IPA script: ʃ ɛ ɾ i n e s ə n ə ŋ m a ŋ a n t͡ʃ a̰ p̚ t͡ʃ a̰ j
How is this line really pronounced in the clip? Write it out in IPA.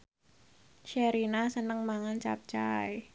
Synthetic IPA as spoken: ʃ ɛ ɾ i n a s ə n ə ŋ m a ŋ a n t͡ʃ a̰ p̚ t͡ʃ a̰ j